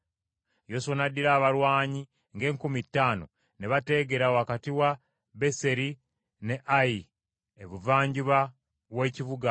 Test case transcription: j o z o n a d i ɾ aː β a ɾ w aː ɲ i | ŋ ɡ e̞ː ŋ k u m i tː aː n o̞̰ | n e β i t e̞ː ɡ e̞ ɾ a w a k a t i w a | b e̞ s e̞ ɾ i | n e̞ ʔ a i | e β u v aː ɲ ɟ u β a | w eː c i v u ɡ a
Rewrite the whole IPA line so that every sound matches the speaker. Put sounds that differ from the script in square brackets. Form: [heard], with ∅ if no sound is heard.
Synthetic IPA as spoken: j o [s] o n a d i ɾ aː β a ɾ w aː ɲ i | ŋ ɡ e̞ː ŋ k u m i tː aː n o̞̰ | n e β [a] t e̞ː ɡ e̞ ɾ a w a k a t i w a | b e̞ s e̞ ɾ i | n e̞ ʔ a i | e β u v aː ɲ ɟ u β a | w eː c i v u ɡ a